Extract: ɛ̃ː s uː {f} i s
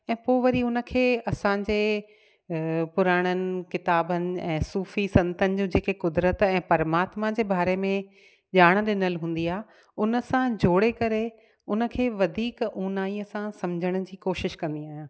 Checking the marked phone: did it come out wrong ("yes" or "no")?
no